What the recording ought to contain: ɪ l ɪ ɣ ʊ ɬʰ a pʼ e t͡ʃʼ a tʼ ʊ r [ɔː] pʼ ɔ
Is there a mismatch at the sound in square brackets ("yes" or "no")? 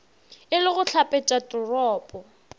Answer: no